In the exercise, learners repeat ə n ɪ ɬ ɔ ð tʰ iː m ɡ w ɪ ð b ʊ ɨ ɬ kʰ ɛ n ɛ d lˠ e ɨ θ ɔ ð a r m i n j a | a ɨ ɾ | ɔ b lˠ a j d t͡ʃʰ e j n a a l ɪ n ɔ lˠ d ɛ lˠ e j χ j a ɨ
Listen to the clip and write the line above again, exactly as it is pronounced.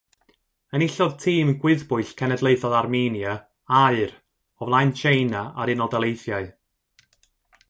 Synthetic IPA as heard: ə n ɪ ɬ ɔ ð tʰ iː m ɡ w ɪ ð b ʊ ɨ ɬ kʰ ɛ n ɛ d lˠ e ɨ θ ɔ ð a r m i n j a | a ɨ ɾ | ɔ v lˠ a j n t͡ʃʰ e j n a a ɾ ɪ n ɔ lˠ d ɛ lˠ e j θ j a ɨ